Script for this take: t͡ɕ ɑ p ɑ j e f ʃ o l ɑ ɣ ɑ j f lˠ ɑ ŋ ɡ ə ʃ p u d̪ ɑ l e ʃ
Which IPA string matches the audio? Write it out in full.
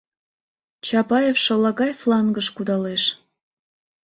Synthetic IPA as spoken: t͡ɕ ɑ p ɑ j e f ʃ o l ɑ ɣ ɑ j f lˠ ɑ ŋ ɡ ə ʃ k u d̪ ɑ l e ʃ